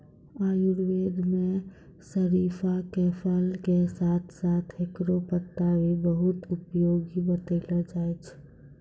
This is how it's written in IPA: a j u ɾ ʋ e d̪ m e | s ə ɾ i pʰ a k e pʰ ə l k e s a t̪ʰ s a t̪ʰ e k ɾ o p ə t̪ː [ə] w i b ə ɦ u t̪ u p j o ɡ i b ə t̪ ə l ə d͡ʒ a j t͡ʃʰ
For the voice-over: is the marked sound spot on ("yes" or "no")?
no